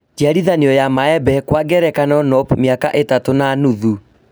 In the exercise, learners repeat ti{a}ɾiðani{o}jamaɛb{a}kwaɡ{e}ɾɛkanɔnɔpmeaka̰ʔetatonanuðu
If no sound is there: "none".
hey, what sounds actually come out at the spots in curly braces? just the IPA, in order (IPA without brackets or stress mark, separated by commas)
a, ɔ, ɛ, ɛ